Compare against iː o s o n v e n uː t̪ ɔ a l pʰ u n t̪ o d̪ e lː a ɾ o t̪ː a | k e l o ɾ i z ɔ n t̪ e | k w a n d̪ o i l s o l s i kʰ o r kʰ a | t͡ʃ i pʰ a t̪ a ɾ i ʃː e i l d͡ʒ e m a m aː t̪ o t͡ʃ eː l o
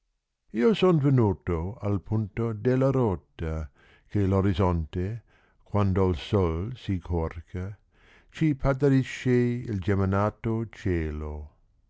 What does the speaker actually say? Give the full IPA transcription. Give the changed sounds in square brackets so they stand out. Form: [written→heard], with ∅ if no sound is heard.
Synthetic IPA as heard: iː o s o n v e n uː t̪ [ɔ→o] a l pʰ u n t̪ o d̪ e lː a ɾ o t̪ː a | k e l o ɾ i z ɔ n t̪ e | k w a n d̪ o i l s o l s i kʰ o r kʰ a | t͡ʃ i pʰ a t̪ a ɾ i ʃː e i l d͡ʒ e m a [m→n] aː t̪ o t͡ʃ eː l o

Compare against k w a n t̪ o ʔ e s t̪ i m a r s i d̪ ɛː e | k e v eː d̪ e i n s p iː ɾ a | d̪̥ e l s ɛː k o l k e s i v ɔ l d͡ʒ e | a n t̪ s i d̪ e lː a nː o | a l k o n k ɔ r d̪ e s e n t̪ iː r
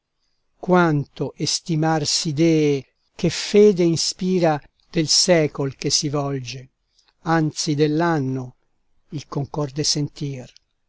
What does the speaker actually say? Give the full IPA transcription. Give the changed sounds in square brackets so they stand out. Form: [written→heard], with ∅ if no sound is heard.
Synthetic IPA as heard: k w a n t̪ o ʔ e s t̪ i m a r s i d̪ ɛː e | k e [v→f] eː d̪ e i n s p iː ɾ a | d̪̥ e l s ɛː k o l k e s i v ɔ l d͡ʒ e | a n t̪ s i d̪ e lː a nː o | [a→i] l k o [n→ŋ] k ɔ r d̪ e s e n t̪ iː r

